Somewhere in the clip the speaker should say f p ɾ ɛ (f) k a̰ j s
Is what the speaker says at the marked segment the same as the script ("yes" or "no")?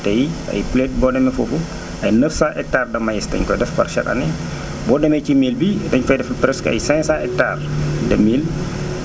no